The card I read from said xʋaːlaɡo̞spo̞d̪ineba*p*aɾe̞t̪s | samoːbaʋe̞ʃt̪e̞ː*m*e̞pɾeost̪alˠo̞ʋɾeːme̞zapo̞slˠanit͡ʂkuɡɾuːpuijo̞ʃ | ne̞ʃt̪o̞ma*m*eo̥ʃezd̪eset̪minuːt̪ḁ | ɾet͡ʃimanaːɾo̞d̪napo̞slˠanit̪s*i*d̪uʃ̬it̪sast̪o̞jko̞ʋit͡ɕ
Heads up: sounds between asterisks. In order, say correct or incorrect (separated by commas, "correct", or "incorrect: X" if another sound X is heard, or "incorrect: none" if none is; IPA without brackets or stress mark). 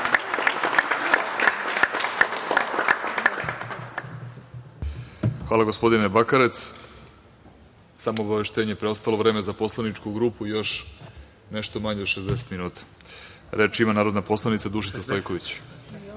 incorrect: k, incorrect: ɲ, incorrect: ɲ, incorrect: a